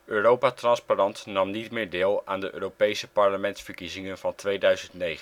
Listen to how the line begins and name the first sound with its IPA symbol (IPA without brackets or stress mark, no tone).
øː